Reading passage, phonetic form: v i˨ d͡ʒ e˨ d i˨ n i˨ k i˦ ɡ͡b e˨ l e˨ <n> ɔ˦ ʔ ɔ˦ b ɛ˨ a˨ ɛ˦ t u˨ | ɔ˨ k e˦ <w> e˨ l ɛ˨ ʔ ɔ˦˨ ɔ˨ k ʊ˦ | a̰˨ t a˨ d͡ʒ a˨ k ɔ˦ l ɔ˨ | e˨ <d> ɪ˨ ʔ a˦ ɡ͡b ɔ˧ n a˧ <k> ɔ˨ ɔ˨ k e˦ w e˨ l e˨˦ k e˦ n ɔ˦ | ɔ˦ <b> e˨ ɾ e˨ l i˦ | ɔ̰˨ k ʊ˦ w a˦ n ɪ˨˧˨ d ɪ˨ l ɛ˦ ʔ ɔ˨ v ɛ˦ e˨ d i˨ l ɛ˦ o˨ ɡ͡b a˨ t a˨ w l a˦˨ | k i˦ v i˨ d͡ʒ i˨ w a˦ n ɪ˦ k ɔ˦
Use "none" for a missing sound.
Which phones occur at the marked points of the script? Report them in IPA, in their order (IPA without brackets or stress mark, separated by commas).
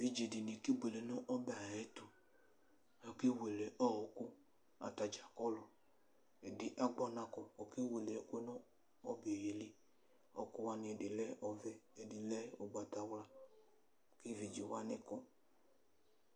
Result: n, w, d, k, b